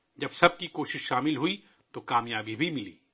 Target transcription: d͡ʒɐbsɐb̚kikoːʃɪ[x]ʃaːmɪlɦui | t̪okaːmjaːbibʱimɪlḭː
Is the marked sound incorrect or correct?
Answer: incorrect